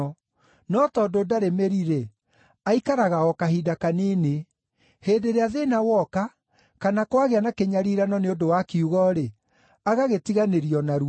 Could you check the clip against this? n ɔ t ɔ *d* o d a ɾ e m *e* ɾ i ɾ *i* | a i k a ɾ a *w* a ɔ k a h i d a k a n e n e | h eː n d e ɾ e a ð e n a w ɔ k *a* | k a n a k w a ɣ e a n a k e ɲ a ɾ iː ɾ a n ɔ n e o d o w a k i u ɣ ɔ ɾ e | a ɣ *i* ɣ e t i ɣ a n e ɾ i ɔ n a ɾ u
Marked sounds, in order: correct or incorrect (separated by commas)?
correct, correct, incorrect, incorrect, correct, incorrect